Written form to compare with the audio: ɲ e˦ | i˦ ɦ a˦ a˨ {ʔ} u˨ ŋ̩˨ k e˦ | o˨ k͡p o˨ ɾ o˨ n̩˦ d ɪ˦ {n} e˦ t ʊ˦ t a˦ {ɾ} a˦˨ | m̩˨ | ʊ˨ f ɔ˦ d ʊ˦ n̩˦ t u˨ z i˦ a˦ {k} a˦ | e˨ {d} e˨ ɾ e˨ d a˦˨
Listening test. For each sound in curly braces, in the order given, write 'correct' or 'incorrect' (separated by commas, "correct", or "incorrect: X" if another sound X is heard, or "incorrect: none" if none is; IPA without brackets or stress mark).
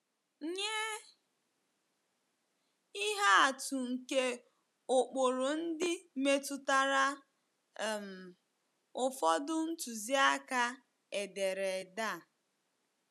incorrect: t, incorrect: m, correct, correct, correct